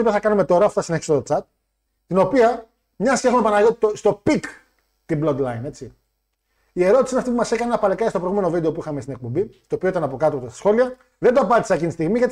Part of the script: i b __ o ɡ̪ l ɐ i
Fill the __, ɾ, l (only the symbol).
l